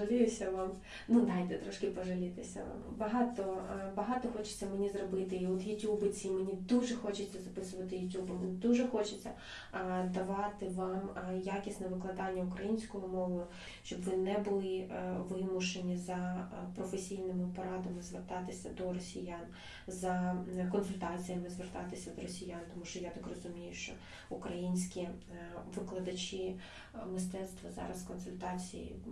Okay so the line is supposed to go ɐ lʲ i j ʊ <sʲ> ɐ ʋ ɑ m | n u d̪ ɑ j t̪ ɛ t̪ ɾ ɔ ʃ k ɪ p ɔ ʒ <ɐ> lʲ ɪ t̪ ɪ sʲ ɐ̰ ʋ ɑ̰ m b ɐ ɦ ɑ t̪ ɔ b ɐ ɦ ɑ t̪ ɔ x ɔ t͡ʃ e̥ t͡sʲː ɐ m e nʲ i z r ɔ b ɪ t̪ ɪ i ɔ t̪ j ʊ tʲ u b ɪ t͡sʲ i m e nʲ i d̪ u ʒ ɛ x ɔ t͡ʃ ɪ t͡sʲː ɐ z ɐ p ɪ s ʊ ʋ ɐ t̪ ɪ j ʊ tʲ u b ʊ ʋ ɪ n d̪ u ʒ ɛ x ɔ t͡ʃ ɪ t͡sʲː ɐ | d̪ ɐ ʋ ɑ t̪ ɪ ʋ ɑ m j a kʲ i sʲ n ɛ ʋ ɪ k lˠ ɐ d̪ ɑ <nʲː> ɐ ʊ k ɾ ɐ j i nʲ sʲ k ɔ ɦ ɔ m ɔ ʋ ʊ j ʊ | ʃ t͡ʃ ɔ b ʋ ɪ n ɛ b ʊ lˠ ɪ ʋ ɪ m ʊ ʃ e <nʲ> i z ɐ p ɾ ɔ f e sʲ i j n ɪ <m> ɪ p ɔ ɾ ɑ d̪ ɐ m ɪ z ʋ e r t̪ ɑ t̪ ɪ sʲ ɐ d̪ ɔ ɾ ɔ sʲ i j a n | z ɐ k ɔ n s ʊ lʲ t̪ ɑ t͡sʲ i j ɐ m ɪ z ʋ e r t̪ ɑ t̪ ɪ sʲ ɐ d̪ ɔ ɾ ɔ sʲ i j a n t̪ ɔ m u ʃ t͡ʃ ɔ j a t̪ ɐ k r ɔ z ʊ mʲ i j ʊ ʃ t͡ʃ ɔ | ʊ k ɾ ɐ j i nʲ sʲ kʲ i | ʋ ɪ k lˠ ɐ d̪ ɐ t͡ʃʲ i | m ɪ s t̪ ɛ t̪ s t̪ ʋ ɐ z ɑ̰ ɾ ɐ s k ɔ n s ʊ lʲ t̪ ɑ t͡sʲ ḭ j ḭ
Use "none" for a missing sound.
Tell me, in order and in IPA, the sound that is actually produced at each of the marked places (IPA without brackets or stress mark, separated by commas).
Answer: sʲ, ɐ, nʲː, nʲ, m